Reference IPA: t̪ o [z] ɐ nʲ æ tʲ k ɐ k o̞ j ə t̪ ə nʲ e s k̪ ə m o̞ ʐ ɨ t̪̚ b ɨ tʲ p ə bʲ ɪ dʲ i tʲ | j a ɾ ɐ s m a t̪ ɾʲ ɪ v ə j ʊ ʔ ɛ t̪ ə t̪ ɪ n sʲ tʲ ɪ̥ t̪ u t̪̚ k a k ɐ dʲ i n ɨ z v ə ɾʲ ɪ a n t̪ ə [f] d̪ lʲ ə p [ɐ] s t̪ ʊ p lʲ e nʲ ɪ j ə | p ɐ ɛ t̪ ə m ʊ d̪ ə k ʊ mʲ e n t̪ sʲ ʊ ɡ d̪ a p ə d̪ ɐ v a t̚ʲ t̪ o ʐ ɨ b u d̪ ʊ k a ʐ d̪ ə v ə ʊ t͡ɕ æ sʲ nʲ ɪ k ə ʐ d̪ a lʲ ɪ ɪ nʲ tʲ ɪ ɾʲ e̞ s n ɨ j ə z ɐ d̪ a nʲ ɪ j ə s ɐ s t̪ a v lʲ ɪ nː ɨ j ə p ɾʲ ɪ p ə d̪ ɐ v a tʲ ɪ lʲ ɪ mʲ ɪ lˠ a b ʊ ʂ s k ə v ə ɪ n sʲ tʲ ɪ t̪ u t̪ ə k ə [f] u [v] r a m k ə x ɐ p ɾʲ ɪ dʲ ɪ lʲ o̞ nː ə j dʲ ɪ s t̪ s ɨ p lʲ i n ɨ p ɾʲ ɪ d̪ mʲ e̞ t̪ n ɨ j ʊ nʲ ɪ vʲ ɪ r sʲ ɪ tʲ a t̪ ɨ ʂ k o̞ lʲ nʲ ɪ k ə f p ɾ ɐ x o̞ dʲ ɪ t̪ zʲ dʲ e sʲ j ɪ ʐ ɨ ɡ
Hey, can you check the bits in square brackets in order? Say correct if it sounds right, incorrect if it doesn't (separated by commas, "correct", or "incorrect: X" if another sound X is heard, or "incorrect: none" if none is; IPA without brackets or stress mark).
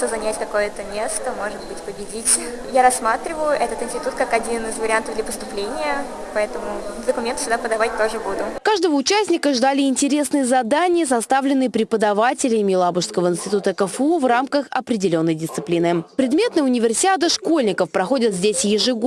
correct, incorrect: v, incorrect: ə, correct, correct